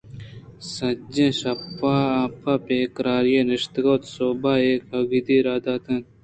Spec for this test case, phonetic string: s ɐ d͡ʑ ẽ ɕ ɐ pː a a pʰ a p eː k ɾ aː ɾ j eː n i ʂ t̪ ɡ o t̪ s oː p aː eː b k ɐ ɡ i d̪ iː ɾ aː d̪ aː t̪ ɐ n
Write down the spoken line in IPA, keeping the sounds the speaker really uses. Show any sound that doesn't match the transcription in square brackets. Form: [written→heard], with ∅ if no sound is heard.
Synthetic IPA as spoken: s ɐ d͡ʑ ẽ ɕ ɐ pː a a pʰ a p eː k ɾ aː ɾ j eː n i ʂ t̪ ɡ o t̪ s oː [p→b] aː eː [b→∅] k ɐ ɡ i d̪ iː ɾ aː d̪ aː t̪ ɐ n